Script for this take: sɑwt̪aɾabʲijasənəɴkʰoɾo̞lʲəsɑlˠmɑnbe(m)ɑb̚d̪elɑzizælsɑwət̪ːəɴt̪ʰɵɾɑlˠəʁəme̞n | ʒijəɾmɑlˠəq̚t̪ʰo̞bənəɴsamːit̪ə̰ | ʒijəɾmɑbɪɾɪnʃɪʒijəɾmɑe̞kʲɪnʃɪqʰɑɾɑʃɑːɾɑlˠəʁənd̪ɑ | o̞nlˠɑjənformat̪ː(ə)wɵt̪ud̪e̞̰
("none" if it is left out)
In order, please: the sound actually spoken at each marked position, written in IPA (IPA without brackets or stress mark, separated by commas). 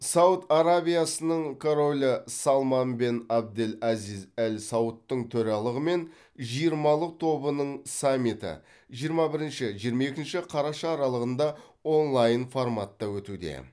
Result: n, ɑ